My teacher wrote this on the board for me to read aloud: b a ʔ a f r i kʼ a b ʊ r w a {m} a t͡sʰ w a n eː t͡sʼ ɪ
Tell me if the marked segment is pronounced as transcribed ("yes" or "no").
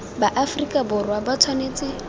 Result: no